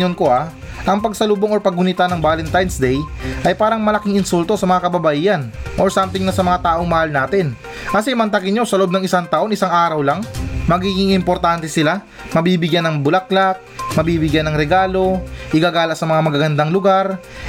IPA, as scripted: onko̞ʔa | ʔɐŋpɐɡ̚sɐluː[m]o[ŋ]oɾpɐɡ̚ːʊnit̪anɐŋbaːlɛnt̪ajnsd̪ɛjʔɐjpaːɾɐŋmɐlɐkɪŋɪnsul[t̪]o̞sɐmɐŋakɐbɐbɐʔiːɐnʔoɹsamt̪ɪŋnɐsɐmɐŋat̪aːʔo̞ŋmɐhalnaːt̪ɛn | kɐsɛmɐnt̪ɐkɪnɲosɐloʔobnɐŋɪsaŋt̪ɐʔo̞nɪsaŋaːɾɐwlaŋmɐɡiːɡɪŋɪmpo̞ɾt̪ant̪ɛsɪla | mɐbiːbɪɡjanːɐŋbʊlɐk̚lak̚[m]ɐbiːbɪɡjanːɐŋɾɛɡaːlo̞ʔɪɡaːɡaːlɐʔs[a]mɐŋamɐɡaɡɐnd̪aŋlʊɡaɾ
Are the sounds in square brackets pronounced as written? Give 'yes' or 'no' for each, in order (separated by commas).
no, yes, yes, yes, no